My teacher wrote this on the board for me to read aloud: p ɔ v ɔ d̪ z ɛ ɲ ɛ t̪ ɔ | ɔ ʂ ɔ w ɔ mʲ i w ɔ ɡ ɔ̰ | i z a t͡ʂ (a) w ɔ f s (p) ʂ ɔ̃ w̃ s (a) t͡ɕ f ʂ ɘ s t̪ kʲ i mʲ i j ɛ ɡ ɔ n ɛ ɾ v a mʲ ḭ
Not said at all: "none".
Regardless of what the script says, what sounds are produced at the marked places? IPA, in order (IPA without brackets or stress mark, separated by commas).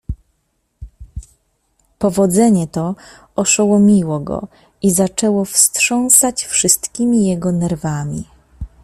ɛ, t, a